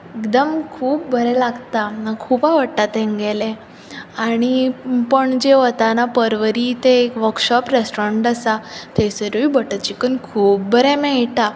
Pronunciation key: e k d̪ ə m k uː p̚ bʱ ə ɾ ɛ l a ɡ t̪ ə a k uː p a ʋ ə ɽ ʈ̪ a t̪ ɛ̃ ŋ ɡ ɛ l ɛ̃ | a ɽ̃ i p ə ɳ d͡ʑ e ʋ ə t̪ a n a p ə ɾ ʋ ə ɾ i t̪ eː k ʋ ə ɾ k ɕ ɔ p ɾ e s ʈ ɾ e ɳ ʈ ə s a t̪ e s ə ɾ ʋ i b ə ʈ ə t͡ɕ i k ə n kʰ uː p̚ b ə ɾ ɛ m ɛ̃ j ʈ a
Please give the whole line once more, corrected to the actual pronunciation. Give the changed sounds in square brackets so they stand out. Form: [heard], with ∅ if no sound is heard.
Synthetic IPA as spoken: e k d̪ ə m [kʰ] uː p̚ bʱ ə ɾ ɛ l a ɡ t̪ [a] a [kʰ] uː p a ʋ ə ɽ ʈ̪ a t̪ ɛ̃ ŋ ɡ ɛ l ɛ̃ | a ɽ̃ i p ə ɳ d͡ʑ e ʋ ə t̪ a n a p ə ɾ ʋ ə ɾ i t̪ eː k ʋ ə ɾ k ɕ ɔ p ɾ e s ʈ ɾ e ɳ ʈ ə s a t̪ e s ə ɾ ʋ i b ə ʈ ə t͡ɕ i k ə n kʰ uː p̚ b ə ɾ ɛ m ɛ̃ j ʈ a